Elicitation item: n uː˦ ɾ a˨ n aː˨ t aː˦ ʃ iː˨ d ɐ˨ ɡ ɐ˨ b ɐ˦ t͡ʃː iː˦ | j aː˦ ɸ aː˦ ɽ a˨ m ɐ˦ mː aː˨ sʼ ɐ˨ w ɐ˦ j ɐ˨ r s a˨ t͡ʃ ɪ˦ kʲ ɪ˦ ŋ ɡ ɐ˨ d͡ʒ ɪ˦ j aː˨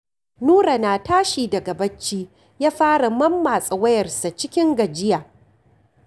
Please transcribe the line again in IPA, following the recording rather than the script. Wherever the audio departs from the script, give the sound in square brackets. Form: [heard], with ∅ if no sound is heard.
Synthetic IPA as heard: n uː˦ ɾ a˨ n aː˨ t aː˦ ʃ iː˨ d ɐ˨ ɡ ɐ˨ b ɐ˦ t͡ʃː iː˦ | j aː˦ ɸ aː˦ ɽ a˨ m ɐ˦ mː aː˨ sʼ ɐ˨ w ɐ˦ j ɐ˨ r s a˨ t͡ʃ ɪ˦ kʲ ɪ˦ ŋ ɡ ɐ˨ d͡ʒ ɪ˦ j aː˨